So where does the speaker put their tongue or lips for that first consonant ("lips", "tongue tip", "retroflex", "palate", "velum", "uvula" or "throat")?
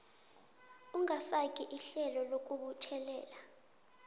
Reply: velum